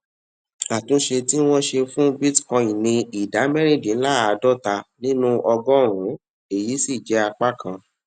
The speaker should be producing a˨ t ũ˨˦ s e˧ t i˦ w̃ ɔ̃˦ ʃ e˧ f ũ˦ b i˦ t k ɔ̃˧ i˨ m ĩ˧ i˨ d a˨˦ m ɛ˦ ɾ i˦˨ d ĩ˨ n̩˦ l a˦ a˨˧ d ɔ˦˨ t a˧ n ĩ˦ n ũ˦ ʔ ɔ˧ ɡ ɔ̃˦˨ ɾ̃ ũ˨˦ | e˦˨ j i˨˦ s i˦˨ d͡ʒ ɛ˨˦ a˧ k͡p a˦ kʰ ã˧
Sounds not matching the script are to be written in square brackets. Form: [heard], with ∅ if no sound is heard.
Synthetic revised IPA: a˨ t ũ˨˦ [ʃ] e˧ t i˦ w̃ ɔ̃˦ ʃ e˧ f ũ˦ b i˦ t k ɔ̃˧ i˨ [n] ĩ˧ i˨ d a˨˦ m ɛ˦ ɾ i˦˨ d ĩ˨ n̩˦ l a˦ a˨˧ d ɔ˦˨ t a˧ n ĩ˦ n ũ˦ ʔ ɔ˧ ɡ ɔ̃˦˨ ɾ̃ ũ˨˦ | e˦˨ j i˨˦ s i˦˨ d͡ʒ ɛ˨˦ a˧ k͡p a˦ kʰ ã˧

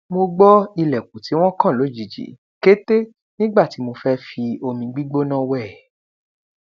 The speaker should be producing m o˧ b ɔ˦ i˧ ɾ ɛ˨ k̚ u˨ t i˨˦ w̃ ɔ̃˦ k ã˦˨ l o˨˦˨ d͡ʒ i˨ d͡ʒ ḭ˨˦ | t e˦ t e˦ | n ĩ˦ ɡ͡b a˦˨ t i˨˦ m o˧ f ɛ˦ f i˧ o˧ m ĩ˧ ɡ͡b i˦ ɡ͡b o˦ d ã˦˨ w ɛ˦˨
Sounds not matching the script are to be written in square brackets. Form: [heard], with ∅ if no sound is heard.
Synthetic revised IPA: m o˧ [ɡ͡b] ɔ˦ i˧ [l] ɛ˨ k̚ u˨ t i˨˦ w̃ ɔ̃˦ k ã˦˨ l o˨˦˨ d͡ʒ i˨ d͡ʒ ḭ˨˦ | [k] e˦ t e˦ | n ĩ˦ ɡ͡b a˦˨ t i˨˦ m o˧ f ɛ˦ f i˧ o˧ m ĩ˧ ɡ͡b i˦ ɡ͡b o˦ [n] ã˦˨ w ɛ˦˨

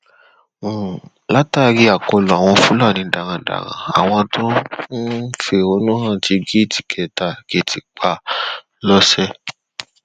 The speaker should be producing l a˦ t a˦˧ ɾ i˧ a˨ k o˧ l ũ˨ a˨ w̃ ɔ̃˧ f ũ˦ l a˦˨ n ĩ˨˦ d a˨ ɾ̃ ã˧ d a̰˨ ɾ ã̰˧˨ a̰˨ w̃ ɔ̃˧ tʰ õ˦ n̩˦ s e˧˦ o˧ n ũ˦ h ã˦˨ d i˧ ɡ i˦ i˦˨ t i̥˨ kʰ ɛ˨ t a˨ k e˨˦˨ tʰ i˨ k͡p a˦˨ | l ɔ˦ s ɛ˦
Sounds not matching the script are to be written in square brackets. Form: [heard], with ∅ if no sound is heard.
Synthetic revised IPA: l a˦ t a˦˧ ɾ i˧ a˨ k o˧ l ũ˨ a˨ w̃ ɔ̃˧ f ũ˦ l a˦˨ n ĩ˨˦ d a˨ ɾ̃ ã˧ d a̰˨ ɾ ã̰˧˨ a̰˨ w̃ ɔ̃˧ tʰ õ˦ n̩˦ [f] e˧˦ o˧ n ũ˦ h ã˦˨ [t] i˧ ɡ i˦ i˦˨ t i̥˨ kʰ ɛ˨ t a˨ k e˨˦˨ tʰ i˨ k͡p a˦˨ | l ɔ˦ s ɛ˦

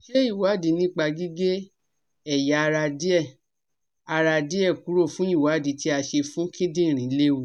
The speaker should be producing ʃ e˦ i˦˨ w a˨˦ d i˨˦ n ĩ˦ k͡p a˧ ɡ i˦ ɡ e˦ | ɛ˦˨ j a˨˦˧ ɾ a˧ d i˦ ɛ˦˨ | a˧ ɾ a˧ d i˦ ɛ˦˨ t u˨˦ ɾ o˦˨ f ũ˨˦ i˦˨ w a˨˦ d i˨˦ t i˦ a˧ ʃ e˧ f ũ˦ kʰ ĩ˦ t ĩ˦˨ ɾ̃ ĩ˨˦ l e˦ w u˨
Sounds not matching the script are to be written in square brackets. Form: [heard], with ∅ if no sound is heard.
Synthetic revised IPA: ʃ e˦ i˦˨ w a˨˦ d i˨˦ n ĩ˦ k͡p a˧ ɡ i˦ ɡ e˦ | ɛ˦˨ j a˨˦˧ ɾ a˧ d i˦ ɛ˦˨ | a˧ ɾ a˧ d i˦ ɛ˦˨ [k] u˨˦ ɾ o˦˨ f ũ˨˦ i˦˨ w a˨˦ d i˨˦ t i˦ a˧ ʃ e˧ f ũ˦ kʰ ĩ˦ [d] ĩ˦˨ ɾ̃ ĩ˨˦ l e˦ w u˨

